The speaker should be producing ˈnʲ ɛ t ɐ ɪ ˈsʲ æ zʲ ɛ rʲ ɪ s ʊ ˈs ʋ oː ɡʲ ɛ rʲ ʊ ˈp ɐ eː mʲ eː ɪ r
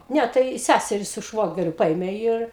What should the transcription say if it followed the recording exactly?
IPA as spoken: ˈnʲ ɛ t ɐ ɪ ˈsʲ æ sʲ ɛ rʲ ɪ s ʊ ˈʃ ʋ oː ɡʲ ɛ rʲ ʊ ˈp ɐ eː mʲ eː ɪ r